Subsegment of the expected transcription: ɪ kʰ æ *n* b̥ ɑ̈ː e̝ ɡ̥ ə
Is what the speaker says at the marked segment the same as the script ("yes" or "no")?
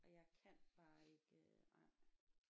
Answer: yes